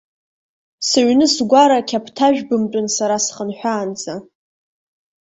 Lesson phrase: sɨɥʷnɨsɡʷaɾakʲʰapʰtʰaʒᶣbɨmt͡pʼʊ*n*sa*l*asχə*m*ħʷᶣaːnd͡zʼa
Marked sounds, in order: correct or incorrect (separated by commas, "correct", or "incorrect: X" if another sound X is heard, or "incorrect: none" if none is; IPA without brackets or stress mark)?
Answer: correct, incorrect: ɾ, incorrect: n